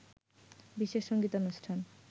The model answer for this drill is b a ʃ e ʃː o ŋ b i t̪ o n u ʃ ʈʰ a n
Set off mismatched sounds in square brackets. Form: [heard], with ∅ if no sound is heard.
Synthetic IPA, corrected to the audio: b [i] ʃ e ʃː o ŋ [ɡ] i t̪ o n u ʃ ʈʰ a n